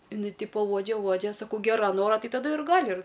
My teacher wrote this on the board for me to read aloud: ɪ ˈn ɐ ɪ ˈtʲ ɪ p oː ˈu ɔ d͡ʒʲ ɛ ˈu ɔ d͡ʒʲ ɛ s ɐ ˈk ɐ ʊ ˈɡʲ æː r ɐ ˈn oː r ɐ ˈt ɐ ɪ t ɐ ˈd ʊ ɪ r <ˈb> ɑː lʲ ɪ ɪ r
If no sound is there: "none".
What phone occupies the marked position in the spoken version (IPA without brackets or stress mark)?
ɡ